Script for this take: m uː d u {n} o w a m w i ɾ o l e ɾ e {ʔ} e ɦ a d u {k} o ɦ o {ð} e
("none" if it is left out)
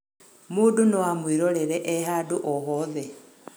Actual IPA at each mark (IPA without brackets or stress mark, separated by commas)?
n, ʔ, ʔ, ð